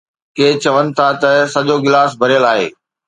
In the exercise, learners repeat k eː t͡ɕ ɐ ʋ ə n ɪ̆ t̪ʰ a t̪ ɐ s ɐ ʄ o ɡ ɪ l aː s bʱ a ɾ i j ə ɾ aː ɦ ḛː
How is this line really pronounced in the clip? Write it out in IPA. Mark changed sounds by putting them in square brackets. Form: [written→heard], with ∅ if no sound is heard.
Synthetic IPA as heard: k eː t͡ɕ ɐ ʋ ə n ɪ̆ t̪ʰ a t̪ ɐ s ɐ ʄ o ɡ ɪ l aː s bʱ [a→ɐ] ɾ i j ə [ɾ→l] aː ɦ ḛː